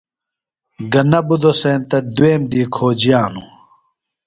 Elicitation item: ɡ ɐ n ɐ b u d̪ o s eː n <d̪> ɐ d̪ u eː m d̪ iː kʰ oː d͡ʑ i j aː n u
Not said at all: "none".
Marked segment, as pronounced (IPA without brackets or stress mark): t̪